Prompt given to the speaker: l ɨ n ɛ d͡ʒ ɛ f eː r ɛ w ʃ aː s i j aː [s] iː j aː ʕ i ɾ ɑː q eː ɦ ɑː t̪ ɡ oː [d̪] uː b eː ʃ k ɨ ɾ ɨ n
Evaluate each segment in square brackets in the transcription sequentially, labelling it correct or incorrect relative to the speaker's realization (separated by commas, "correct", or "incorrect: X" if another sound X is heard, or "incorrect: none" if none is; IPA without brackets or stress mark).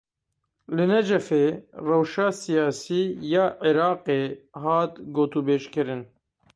correct, incorrect: t̪